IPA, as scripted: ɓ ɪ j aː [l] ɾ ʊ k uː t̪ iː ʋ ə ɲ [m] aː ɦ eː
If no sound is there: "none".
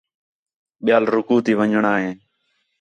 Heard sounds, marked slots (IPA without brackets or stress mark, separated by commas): l, ɳ